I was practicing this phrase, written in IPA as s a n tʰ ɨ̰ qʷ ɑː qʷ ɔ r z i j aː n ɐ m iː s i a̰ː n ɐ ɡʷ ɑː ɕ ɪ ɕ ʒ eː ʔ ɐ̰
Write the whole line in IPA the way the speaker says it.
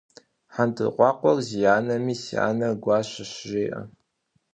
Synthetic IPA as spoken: ħ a n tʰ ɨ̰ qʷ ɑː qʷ ɔ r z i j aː n ɐ m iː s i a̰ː n ɐ ɡʷ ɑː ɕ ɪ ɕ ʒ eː ʔ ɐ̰